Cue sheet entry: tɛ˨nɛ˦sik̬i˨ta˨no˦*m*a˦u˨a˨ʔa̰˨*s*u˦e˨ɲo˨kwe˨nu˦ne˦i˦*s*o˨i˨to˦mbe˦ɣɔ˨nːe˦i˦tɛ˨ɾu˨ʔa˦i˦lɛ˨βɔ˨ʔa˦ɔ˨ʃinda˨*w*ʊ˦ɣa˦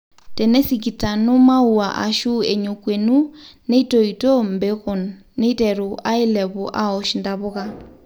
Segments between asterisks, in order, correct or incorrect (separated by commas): correct, incorrect, incorrect, incorrect